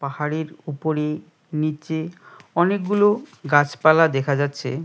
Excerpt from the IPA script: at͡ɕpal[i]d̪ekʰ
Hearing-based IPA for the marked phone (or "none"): a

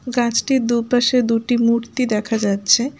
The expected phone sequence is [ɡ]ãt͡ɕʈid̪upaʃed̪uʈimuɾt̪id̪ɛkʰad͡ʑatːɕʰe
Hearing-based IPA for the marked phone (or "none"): ɡ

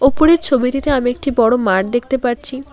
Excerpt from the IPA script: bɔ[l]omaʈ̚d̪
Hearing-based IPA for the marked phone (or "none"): ɽ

